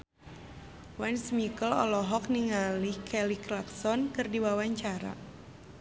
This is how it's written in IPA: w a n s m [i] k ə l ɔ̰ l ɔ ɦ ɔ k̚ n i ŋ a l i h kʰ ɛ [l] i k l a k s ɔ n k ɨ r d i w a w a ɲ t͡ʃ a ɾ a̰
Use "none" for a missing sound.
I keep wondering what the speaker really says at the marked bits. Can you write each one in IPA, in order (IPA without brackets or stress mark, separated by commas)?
i, l